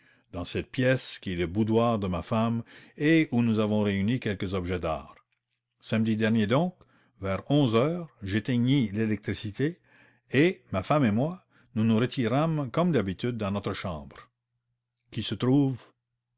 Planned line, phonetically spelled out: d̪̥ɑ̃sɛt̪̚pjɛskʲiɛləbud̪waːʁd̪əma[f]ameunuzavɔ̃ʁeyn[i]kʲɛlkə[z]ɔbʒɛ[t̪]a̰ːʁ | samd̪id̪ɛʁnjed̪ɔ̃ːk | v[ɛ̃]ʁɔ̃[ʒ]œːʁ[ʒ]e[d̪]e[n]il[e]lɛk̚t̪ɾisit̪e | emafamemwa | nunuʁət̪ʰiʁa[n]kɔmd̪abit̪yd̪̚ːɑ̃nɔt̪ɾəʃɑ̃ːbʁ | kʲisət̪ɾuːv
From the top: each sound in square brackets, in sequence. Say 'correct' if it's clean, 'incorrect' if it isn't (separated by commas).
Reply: correct, correct, correct, incorrect, incorrect, incorrect, correct, incorrect, incorrect, correct, incorrect